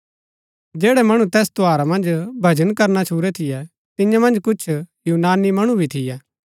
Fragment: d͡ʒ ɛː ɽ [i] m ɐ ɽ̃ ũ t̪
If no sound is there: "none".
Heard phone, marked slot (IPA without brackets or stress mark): ɛ